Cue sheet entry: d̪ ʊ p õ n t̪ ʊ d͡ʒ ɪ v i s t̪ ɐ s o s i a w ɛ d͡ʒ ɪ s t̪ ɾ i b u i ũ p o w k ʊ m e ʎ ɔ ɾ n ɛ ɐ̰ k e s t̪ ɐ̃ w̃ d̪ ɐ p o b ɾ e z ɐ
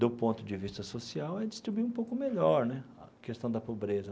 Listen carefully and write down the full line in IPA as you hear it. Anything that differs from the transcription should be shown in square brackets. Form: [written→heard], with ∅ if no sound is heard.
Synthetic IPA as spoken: d̪ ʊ p õ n t̪ ʊ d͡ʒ ɪ v i s t̪ ɐ s o s i a w ɛ d͡ʒ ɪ s t̪ ɾ i b u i ũ p o w k ʊ m e ʎ ɔ ɾ n ɛ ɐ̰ k e s t̪ ɐ̃ w̃ d̪ ɐ p o b ɾ e z ɐ